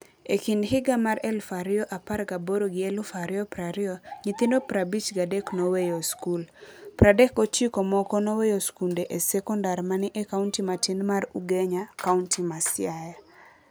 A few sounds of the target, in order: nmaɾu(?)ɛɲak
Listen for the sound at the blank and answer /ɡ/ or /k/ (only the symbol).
ɡ